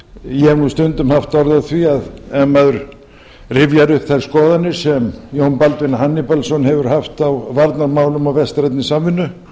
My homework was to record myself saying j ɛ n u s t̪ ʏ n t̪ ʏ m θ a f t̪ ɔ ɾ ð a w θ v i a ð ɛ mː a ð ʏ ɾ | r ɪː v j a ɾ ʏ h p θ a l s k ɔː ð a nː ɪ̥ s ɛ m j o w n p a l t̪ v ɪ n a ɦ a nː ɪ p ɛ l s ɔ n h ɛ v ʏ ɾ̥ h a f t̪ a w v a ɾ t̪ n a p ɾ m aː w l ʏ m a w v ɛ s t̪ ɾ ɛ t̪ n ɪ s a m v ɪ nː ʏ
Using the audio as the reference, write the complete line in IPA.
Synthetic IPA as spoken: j ɛ n u s t̪ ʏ n t̪ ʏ m h a f t̪ ɔ ɾ ð a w θ v i a ð ɛ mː a ð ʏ ɾ | r ɪ v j a ɾ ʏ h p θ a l s k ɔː ð a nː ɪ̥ s ɛ m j o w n p a l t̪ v ɪ n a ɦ a nː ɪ p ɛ l s ɔ n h ɛ v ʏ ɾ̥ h a f t̪ a w v a ɾ t̪ n a ɾ m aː w l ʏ m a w v ɛ s t̪ ɾ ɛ t̪ n ɪ s a m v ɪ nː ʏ